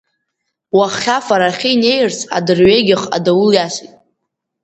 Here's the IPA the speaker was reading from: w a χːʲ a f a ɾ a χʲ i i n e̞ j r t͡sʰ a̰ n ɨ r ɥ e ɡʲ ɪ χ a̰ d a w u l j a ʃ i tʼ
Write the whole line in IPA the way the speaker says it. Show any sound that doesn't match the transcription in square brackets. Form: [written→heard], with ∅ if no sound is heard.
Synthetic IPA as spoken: w a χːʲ a f a ɾ a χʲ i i n e̞ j r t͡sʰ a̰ [n→d] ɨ r ɥ e ɡʲ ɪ χ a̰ d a w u l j a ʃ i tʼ